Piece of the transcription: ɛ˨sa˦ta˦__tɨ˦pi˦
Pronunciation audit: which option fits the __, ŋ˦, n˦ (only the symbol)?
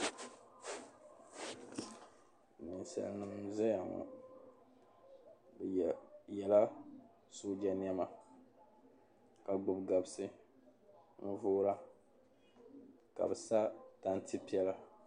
n˦